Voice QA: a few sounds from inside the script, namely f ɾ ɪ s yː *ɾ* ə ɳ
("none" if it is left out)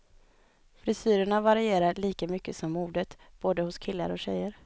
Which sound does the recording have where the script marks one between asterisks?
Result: ɾ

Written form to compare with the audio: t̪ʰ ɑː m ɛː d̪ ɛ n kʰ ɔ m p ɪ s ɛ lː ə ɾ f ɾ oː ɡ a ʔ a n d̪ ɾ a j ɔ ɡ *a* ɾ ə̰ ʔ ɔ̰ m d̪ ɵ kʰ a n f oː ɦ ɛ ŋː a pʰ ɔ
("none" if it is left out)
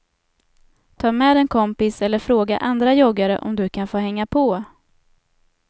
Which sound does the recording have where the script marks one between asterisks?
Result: a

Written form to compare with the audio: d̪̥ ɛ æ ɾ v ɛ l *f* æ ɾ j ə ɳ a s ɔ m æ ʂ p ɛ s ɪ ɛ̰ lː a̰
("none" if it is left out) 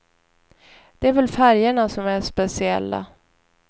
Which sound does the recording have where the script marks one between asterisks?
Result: f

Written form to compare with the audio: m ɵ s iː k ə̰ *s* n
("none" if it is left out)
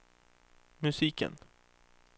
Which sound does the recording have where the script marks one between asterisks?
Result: none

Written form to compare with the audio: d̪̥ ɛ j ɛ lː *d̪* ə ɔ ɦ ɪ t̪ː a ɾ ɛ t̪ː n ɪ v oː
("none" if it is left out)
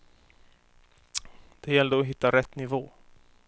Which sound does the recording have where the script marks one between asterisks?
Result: d̪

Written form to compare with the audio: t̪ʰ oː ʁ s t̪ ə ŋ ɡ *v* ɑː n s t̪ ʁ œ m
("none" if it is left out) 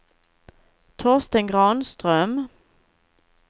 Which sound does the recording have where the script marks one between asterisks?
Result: ʁ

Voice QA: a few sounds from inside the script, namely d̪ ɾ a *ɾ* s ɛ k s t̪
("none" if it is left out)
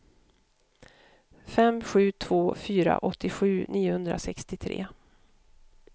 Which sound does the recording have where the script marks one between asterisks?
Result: none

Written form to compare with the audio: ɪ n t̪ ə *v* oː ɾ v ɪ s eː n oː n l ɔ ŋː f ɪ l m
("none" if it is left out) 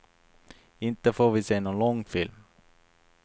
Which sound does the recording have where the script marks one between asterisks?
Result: f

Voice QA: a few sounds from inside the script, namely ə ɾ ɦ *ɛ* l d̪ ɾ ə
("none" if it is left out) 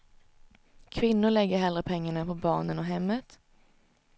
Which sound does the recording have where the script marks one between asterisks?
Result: ɛ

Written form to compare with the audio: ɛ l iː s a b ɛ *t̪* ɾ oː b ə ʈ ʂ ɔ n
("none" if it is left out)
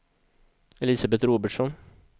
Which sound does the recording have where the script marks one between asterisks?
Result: t̪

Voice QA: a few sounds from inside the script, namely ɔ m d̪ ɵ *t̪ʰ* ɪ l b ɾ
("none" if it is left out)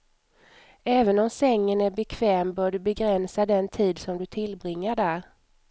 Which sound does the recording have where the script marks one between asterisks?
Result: t̪ʰ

